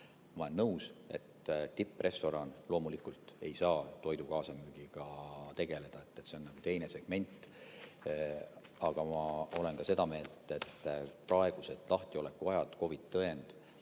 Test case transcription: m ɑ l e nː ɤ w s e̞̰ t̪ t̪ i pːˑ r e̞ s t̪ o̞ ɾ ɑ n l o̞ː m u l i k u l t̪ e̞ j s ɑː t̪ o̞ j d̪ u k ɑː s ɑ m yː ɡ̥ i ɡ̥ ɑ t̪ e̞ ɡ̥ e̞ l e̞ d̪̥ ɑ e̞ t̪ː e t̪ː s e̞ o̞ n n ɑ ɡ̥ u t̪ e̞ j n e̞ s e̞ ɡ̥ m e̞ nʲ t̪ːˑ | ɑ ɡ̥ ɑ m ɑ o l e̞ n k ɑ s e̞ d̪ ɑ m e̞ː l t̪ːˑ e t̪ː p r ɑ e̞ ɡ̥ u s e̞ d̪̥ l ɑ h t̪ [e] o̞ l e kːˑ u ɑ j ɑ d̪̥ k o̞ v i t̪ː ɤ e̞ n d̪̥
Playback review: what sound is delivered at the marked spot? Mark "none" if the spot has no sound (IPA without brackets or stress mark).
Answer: i